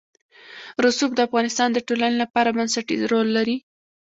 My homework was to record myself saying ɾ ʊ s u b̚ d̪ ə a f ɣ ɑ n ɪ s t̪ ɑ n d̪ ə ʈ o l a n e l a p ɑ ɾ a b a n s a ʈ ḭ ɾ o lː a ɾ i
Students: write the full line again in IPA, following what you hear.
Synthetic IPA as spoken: ɾ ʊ s u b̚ d̪ ə a f ɣ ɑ n ɪ s t̪ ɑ n d̪ ə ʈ o l a n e l a p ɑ ɾ a b a n s a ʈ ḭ ɾ o lː a ɾ i